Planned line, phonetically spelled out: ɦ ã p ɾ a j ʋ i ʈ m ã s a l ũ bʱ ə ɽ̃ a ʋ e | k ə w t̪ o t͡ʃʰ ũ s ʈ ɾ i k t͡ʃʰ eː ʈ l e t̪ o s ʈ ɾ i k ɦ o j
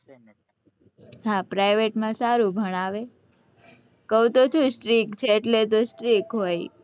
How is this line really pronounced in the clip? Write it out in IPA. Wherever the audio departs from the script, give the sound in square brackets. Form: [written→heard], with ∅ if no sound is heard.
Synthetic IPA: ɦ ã p ɾ a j ʋ [i→e] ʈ m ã s a [l→ɾ] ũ bʱ ə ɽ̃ a ʋ e | k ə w t̪ o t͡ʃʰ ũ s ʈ ɾ i k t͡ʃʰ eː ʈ l e t̪ o s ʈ ɾ i k ɦ o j